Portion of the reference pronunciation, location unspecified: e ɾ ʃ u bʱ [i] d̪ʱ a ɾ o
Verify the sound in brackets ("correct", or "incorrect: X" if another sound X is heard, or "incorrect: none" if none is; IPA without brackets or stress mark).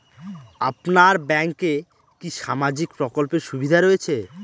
correct